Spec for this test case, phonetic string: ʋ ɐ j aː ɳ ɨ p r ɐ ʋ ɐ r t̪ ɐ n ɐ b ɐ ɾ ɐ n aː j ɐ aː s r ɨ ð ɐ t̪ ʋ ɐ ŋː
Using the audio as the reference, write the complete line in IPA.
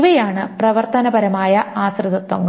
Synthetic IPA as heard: ʋ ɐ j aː ɳ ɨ p r ɐ ʋ ɐ r t̪ ɐ n ɐ b ɐ ɾ ɐ m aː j ɐ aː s r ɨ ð ɐ t̪ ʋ ɐ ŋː

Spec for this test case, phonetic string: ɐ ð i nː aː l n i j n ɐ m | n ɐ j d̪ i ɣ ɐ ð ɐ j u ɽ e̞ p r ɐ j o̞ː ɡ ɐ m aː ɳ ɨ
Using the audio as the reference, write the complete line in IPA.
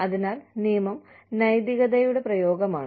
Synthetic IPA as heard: ɐ ð i n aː l n i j m ɐ m | n ɐ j d̪ i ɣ ɐ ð ɐ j u ɽ e̞ p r ɐ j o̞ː ɡ ɐ m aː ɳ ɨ

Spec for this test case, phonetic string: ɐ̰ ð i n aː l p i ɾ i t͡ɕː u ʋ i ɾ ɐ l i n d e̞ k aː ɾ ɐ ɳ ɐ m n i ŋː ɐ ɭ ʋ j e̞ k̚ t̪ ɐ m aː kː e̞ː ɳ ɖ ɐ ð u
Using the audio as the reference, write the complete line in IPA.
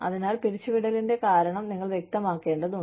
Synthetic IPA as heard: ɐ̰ ð i n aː l p i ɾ i t͡ɕː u ʋ i ɽ ɐ l i n d e̞ k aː ɾ ɐ ɳ ɐ m n i ŋː ɐ ɭ ʋ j e̞ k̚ t̪ ɐ m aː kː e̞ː ɳ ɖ ɐ ð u

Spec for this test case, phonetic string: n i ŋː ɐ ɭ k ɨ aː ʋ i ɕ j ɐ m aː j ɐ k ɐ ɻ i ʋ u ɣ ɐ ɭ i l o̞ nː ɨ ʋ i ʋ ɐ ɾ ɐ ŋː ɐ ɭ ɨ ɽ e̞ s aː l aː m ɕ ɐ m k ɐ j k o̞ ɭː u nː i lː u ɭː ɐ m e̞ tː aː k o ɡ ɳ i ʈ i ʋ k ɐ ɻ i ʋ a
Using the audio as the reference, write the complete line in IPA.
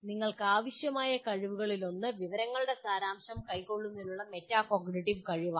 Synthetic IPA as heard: n i ŋː ɐ ɭ k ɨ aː ʋ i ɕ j ɐ m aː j ɐ k ɐ ɻ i ʋ u ɣ ɐ ɭ i l o̞ nː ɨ ʋ i ʋ ɐ ɾ ɐ ŋː ɐ ɭ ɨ ɽ e̞ s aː ɾ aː m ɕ ɐ m k ɐ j k o̞ ɭː u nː i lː u ɭː ɐ m e̞ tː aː k o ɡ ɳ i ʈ i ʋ k ɐ ɻ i ʋ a

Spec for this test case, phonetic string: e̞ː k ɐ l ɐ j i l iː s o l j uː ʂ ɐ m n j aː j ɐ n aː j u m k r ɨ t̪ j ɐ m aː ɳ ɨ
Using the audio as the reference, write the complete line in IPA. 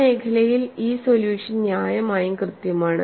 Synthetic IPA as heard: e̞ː kʰ ɐ l ɐ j i l iː s o l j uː ʂ ɐ n n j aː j ɐ m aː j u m k r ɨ t̪ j ɐ m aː ɳ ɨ

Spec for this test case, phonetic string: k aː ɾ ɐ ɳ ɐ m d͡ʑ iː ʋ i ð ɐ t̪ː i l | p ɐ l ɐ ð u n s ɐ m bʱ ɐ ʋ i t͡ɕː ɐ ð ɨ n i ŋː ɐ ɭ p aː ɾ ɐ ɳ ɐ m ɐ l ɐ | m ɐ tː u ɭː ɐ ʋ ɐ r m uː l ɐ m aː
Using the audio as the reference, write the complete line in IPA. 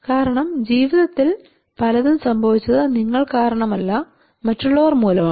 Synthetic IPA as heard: k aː ɾ ɐ ɳ ɐ m d͡ʑ iː ʋ i ð ɐ t̪ː i l | p ɐ l ɐ ð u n s ɐ m bʱ ɐ ʋ i t͡ɕː ɐ ð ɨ n i ŋː ɐ ɭ k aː ɾ ɐ ɳ ɐ m ɐ lː ɐ | m ɐ tː u ɭː ɐ ʋ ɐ r m uː l ɐ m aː

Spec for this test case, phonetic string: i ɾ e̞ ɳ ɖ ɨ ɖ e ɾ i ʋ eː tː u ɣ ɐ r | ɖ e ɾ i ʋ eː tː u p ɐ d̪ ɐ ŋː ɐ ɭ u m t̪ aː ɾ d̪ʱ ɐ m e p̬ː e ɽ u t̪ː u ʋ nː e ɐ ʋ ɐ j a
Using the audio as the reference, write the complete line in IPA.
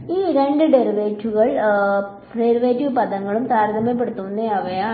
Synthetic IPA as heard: iː ɾ e̞ ɳ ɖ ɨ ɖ e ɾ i ʋ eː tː u ɣ ɐ ɭ | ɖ e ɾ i ʋ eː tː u p ɐ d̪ ɐ ŋː ɐ ɭ u m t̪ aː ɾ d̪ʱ ɐ m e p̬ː e ɽ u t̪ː u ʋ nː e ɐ ʋ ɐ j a

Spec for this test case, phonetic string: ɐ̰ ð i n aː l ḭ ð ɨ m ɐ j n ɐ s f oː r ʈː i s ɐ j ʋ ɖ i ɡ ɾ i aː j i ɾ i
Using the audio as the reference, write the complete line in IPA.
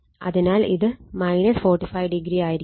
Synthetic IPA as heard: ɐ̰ ð i n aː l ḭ ð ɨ m ɐ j n ɐ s f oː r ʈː i f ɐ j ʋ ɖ i ɡ ɾ i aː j i ɾ i

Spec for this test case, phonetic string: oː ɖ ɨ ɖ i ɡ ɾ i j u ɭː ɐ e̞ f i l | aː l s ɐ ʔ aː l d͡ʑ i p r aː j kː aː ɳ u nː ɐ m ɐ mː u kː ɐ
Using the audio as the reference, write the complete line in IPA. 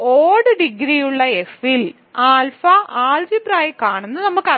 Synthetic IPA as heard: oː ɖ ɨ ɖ i ɡ ɾ i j u ɭː ɐ e̞ f i l | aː l f ɐ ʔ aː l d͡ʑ i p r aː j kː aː ɳ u nː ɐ n ɐ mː u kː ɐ

